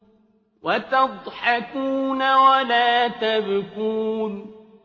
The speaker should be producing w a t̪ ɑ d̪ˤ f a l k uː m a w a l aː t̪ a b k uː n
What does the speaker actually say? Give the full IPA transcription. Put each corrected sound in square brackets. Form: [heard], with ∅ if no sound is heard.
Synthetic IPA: w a t̪ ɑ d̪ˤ [ħ] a [∅] k uː [n] a w a l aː t̪ a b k uː n

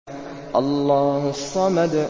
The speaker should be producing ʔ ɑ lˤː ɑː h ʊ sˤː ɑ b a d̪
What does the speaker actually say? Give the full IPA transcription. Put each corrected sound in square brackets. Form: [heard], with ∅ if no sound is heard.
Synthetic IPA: ʔ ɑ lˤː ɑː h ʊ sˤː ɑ [m] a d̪

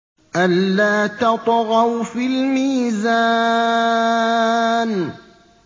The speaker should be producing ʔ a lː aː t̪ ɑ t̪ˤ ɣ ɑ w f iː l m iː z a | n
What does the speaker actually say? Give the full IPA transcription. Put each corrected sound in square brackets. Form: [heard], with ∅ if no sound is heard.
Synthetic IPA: ʔ a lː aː t̪ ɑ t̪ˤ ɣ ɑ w f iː l m iː z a | n

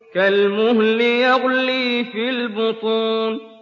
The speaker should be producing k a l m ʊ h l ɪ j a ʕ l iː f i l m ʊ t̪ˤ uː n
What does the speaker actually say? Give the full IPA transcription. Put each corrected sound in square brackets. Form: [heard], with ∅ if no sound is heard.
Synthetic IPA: k a l m ʊ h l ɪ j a [ɣ] l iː f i l [b] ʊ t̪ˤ uː n

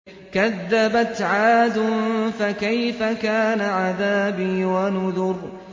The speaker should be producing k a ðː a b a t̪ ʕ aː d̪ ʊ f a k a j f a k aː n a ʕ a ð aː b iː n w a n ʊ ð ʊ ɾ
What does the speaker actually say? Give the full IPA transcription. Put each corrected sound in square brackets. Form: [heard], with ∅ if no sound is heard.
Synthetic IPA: k a ðː a b a t̪ ʕ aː d̪ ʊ f a k a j f a k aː n a ʕ a ð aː b iː [∅] w a n ʊ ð ʊ ɾ

